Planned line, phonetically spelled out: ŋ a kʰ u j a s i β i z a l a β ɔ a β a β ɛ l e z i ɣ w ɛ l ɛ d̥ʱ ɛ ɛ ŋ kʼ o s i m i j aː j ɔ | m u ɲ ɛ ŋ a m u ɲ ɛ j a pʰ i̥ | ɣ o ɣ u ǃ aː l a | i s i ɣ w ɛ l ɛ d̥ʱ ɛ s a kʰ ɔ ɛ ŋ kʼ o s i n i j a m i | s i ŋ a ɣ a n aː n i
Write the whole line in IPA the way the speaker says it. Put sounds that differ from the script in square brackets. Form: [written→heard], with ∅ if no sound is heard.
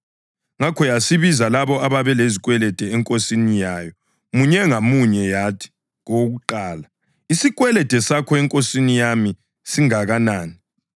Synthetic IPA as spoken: ŋ a kʰ [u→ɔ] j a s i β i z a l a β ɔ a β a β ɛ l e z i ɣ w ɛ l ɛ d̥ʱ ɛ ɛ ŋ kʼ o s i [m→n] i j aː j ɔ | m u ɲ ɛ ŋ a m u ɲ ɛ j a [pʰ→tʰ] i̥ | ɣ o ɣ u ǃ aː l a | i s i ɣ w ɛ l ɛ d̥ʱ ɛ s a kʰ ɔ ɛ ŋ kʼ o s i n i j a m i | s i ŋ a ɣ a n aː n i

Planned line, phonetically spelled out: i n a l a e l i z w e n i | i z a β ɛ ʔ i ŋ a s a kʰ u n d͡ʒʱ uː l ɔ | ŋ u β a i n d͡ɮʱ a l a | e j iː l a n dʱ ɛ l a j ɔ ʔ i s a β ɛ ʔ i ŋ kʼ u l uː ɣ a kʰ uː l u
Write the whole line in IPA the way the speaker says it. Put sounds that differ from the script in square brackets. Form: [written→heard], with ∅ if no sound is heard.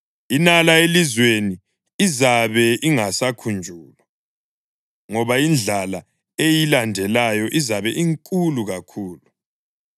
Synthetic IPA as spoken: i n a l a e l i z w e n i | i z a β ɛ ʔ i ŋ a s a kʰ u n d͡ʒʱ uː l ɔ | ŋ [u→ɔ] β a i n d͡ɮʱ a l a | e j [iː→i] l a n dʱ ɛ l a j ɔ ʔ i [s→z] a β ɛ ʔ i ŋ kʼ u l [uː→u] ɣ a kʰ uː l u

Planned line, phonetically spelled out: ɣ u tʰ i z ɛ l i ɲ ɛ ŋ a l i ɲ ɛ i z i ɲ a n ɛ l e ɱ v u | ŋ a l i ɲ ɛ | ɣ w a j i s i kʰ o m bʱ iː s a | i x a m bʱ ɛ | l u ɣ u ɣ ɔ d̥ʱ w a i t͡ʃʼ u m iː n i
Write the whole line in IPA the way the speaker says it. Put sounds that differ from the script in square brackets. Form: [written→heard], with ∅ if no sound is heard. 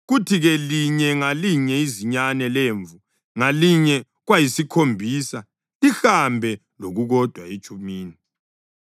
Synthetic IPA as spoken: ɣ u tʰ i [z→ɣ] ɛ l i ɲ ɛ ŋ a l i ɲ ɛ i z i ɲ a n ɛ l e ɱ v u | ŋ a l i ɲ ɛ | ɣ w a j i s i kʰ o m bʱ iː s a | i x a m bʱ ɛ | l [u→o] ɣ u ɣ ɔ d̥ʱ w a i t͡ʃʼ u m iː n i

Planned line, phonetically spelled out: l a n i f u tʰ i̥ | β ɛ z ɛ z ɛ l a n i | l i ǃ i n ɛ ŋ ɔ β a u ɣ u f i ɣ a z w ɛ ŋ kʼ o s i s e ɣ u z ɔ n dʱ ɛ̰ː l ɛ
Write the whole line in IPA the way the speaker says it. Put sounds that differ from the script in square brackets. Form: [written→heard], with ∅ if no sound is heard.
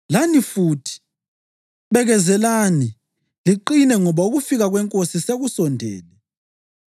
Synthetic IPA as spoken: l a n i f u tʰ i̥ | β ɛ [z→ɣ] ɛ z ɛ l a n i | l i ǃ i n ɛ ŋ ɔ β a u ɣ u f i ɣ a [z→ɣ] w ɛ ŋ kʼ o s i s e ɣ u [z→s] ɔ n dʱ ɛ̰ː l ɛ

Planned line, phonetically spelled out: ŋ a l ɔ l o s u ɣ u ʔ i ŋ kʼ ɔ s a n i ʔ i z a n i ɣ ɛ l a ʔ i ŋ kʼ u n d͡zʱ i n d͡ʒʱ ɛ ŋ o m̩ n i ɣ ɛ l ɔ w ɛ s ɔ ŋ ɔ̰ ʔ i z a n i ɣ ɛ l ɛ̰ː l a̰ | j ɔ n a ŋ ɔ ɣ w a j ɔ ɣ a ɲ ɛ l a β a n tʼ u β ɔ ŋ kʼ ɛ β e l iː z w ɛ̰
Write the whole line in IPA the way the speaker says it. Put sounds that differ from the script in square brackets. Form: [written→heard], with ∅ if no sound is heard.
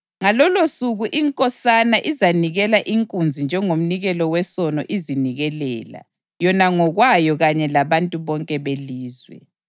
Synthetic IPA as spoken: ŋ a l ɔ l o s u ɣ u ʔ i ŋ kʼ ɔ s a n [i→a] ʔ i z a n i ɣ ɛ l a ʔ i ŋ kʼ u n d͡zʱ i n d͡ʒʱ ɛ ŋ o m̩ n i ɣ ɛ l ɔ w ɛ s ɔ [ŋ→n] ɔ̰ ʔ i z [a→i] n i ɣ ɛ l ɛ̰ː l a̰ | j ɔ n a ŋ ɔ ɣ w a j ɔ ɣ a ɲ ɛ l a β a n tʼ u β ɔ ŋ kʼ ɛ β e l iː z w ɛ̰

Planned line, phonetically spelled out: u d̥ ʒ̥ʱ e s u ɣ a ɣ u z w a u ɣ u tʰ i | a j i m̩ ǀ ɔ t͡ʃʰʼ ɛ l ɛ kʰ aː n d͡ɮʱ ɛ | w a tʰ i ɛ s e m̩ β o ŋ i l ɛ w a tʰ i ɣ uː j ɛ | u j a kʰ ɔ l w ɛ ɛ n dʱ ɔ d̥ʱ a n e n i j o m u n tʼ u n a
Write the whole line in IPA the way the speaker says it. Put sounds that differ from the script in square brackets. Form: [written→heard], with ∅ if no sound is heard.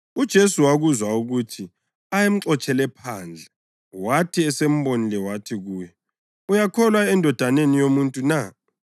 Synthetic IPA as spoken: u d̥ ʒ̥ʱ e s u [ɣ→w] a ɣ u z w a u ɣ u tʰ i | a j [i→e] m̩ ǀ ɔ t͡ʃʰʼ ɛ l ɛ [kʰ→pʰ] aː n d͡ɮʱ ɛ | w a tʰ i ɛ s e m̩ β o [ŋ→n] i l ɛ w a tʰ i ɣ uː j ɛ | u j a kʰ ɔ l w [ɛ→a] ɛ n dʱ ɔ d̥ʱ a n e n i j o m u n tʼ u n a

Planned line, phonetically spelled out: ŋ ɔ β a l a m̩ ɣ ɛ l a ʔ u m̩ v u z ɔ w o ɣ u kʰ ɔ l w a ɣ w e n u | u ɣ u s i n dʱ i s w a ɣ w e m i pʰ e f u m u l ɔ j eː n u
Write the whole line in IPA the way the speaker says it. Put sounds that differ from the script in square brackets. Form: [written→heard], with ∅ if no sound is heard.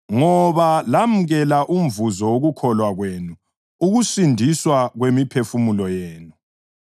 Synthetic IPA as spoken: ŋ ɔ β a l a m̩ ɣ ɛ l a ʔ u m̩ v u z ɔ w o ɣ u kʰ ɔ l w a ɣ w e n u | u ɣ u s i n dʱ i s w a ɣ w e m i pʰ e f u m u l ɔ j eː n u

